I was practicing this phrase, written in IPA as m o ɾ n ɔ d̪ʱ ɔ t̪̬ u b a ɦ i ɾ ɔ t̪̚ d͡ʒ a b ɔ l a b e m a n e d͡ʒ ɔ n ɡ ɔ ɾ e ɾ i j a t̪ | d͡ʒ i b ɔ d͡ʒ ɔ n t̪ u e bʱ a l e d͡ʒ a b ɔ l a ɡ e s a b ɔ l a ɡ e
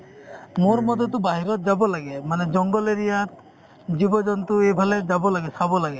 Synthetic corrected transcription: m o ɾ m ɔ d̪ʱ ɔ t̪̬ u b a ɦ i ɾ ɔ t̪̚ d͡ʒ a b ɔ l a ɡ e m a n e d͡ʒ ɔ ŋ ɡ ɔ l e ɾ i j a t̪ | d͡ʒ i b ɔ d͡ʒ ɔ n t̪ u e bʱ a l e d͡ʒ a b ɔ l a ɡ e s a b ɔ l a ɡ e